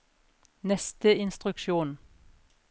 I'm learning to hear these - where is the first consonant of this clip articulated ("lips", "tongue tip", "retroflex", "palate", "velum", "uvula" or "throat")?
tongue tip